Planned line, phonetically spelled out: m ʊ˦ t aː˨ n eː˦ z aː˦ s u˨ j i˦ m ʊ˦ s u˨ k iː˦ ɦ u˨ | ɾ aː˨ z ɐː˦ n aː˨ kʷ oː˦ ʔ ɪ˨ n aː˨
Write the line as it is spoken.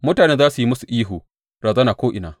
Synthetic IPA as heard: m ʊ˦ t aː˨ n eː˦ z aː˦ s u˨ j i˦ m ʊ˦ s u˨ ʔ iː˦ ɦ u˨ | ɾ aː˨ z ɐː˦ n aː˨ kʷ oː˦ ʔ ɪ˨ n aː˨